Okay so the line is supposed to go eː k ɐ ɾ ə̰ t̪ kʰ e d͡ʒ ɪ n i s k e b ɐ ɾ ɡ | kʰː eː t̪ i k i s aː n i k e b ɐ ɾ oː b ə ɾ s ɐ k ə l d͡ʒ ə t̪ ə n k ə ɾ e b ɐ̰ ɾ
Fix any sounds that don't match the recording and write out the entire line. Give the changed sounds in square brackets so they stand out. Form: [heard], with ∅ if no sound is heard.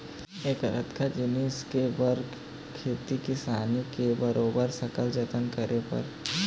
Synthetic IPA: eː k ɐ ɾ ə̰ t̪ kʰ [a] d͡ʒ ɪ n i s k e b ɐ ɾ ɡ | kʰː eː t̪ i k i s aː n i k e b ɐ ɾ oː b ə ɾ s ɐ k ə l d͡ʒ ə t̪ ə n k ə ɾ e [p] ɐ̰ ɾ